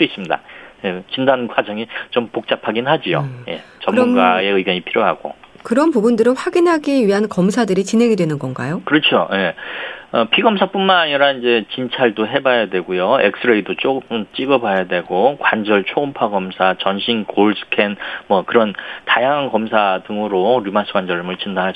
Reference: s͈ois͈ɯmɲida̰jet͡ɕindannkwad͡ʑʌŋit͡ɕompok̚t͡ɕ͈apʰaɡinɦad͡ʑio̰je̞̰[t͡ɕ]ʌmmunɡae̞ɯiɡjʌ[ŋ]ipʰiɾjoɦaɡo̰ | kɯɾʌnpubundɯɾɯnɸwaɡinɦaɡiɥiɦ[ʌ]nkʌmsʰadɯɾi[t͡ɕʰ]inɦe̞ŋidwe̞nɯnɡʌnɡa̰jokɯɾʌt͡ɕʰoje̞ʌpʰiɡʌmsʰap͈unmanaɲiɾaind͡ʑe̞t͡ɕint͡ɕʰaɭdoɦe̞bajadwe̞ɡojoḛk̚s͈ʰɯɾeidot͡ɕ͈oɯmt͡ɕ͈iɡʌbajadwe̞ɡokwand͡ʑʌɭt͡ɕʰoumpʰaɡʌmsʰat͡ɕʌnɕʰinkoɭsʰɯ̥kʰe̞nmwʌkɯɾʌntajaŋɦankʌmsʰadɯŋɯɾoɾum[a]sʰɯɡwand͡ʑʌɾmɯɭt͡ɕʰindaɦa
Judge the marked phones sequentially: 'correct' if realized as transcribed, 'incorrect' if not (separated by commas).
correct, incorrect, incorrect, incorrect, correct